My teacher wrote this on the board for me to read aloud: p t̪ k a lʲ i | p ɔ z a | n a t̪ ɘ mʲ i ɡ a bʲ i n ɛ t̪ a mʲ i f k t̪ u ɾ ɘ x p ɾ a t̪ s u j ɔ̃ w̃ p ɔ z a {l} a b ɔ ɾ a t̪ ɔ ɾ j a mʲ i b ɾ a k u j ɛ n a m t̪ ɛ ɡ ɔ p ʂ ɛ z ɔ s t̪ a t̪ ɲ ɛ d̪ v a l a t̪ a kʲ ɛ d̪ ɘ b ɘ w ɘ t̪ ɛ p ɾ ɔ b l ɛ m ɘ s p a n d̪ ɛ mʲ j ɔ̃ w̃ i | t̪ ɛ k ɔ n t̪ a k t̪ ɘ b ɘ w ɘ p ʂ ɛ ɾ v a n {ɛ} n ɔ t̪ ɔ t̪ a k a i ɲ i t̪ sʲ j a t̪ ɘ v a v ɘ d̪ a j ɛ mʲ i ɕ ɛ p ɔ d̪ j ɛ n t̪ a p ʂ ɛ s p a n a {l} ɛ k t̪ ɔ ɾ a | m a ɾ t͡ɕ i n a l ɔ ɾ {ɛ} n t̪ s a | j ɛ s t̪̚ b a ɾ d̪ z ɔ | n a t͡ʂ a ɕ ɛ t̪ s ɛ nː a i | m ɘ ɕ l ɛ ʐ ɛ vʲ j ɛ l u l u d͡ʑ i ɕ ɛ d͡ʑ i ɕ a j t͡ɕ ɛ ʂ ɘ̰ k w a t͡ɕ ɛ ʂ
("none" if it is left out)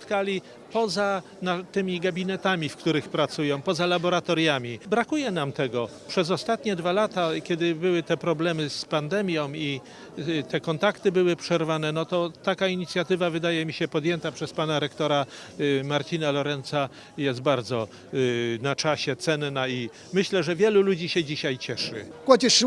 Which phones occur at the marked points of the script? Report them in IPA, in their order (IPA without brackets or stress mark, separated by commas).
l, ɛ, ɾ, ɛ